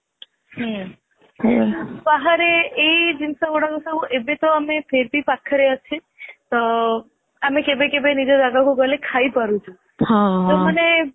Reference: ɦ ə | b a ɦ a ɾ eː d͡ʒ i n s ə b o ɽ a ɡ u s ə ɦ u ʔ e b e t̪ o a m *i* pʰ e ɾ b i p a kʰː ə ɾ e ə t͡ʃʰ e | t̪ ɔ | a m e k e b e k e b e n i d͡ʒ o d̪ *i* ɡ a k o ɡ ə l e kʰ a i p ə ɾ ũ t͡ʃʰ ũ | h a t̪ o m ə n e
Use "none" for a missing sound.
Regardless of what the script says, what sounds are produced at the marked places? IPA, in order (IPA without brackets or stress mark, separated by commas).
e, a